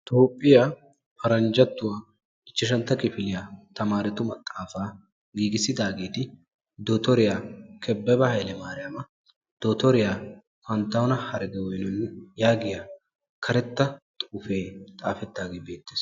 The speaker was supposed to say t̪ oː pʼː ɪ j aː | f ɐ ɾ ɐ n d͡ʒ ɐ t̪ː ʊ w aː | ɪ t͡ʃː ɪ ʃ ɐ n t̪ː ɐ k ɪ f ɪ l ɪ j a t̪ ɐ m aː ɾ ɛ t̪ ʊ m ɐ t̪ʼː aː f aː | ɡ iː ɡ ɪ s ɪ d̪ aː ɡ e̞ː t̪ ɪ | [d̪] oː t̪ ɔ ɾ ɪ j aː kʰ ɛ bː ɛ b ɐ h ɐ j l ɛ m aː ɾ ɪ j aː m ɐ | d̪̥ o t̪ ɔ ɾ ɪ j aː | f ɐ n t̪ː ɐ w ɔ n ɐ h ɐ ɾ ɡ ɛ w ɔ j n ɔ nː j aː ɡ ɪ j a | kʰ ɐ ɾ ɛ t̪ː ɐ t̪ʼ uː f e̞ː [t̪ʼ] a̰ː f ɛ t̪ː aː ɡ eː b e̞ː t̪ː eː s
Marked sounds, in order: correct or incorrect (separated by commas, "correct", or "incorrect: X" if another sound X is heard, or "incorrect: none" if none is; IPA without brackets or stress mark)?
correct, correct